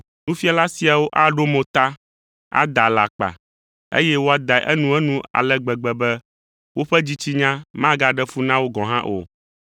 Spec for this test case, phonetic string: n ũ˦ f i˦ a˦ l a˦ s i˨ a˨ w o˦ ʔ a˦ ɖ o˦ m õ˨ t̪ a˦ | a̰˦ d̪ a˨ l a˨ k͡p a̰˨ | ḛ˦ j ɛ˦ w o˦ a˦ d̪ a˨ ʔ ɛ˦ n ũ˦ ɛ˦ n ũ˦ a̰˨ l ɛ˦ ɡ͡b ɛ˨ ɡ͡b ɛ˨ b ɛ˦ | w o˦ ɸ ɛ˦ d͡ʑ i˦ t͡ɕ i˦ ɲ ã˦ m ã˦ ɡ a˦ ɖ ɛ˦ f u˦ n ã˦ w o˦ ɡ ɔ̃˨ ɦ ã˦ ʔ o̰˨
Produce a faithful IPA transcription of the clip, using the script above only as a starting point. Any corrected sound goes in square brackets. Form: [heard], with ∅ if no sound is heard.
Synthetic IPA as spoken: n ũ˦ f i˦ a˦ l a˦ s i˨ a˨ w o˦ ʔ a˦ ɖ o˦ m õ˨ t̪ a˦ | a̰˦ d̪ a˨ l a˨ k͡p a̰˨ | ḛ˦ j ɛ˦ w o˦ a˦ d̪ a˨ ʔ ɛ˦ n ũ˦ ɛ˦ n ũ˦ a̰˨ l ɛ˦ ɡ͡b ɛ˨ ɡ͡b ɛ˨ b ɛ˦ | w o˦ ɸ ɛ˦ d͡ʑ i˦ t͡ɕ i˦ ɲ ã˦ m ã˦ ɡ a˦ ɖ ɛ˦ f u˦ n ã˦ w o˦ ɡ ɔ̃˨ ɦ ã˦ ʔ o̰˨

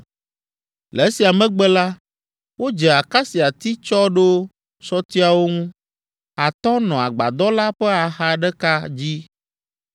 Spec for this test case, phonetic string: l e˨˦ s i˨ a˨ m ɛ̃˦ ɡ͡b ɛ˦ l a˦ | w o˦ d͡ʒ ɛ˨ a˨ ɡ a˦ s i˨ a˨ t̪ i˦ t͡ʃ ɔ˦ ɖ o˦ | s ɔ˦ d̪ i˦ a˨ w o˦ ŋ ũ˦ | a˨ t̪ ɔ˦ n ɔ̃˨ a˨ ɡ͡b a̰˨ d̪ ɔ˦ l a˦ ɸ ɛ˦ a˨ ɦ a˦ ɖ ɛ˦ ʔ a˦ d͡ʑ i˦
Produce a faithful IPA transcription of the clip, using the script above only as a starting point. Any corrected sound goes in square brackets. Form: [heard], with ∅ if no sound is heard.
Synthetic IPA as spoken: l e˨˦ s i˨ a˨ m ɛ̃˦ ɡ͡b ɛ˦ l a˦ | w o˦ d͡ʒ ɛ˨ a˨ [k] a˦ s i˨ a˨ t̪ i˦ t͡ʃ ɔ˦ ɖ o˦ | s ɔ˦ [t̪] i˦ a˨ w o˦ ŋ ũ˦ | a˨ t̪ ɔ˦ n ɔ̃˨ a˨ ɡ͡b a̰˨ d̪ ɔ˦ l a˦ ɸ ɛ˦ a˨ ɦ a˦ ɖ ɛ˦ [k] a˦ d͡ʑ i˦

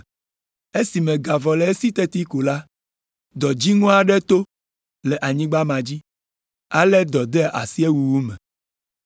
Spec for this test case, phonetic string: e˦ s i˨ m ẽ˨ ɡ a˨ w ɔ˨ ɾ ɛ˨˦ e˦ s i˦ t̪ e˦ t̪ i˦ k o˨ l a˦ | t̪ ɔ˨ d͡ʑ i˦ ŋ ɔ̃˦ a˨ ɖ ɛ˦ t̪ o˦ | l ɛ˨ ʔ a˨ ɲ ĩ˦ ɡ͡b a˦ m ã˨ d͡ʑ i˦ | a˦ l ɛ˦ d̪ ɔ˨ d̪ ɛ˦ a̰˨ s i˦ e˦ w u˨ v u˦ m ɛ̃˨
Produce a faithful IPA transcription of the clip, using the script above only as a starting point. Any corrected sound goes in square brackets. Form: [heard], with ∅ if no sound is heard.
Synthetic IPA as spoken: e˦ s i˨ m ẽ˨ ɡ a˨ [v] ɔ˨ [l] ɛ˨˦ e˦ s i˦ t̪ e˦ t̪ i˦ k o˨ l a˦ | [d̪] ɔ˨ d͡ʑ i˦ ŋ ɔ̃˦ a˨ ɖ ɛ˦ t̪ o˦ | l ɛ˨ ʔ a˨ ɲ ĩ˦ ɡ͡b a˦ m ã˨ d͡ʑ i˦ | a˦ l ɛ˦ d̪ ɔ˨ d̪ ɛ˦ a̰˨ s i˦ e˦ w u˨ [w] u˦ m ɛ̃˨

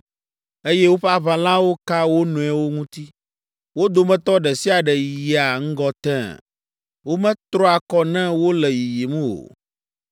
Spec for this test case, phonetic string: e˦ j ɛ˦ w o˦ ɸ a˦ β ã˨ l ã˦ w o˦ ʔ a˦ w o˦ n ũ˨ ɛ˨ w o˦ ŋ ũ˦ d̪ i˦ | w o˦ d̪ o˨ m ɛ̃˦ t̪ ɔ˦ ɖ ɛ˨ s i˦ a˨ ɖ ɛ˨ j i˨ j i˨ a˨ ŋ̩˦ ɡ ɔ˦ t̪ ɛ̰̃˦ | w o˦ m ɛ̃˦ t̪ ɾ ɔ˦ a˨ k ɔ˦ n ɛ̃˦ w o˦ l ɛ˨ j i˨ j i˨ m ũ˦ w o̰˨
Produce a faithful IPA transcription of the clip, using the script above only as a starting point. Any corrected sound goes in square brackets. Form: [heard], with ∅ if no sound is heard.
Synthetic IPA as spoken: e˦ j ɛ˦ w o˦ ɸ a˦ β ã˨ l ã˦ w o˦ [k] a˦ w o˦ n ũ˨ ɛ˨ w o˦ ŋ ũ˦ [t̪] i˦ | w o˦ d̪ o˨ m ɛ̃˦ t̪ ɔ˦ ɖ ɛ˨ s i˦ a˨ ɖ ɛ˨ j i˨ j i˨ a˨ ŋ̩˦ ɡ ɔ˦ t̪ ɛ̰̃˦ | w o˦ m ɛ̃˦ t̪ ɾ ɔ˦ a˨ k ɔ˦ n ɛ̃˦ w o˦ l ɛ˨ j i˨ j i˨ m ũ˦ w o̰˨

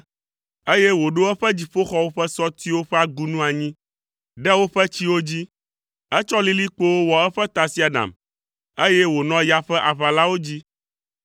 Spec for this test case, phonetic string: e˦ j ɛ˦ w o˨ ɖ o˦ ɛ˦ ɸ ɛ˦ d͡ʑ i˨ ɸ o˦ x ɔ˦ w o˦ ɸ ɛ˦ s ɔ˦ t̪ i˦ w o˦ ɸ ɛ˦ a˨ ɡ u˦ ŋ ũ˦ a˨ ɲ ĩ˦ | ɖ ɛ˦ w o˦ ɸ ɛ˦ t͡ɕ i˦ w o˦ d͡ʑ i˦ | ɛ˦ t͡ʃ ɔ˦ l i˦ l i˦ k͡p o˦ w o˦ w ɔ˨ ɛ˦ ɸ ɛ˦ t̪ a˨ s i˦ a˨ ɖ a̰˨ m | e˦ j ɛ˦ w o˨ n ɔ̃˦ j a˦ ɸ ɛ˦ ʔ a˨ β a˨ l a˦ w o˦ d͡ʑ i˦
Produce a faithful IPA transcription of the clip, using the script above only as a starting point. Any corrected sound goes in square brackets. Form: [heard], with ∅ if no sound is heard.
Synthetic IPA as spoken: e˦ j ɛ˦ w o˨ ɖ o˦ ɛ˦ ɸ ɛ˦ d͡ʑ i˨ ɸ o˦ x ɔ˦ w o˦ ɸ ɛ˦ s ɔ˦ t̪ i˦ w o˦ ɸ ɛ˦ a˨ ɡ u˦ [n] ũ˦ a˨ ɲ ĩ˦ | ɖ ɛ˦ w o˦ ɸ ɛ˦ t͡ɕ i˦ w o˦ d͡ʑ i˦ | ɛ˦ t͡ʃ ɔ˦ l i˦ l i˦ k͡p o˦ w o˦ w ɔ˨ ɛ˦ ɸ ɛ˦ t̪ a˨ s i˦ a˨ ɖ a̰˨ m | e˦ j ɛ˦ w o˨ n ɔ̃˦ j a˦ ɸ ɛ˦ ʔ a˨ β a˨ l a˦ w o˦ d͡ʑ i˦

